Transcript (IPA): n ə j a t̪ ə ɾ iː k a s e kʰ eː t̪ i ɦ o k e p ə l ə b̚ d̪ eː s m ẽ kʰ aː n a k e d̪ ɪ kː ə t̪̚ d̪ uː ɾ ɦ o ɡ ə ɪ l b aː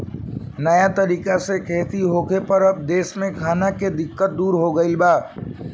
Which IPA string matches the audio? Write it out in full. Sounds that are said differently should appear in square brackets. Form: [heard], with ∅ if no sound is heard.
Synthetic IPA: n ə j a t̪ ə ɾ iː k a s e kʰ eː t̪ i ɦ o k e p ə [ɾ] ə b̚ d̪ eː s m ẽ kʰ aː n a k e d̪ ɪ kː ə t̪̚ d̪ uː ɾ ɦ o ɡ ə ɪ l b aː